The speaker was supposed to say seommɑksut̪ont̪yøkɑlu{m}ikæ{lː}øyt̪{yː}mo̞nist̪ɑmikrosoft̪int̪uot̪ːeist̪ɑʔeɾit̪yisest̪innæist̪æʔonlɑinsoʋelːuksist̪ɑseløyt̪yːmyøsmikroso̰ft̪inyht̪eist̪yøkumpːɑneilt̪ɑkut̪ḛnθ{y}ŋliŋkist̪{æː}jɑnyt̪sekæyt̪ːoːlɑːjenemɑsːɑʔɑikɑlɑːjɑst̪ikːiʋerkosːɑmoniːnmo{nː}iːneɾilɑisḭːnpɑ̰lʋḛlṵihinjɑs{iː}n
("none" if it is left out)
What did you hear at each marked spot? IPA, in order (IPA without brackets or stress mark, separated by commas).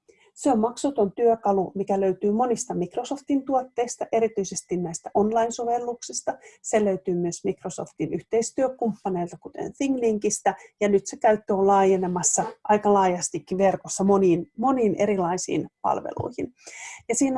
m, l, yː, i, æ, n, iː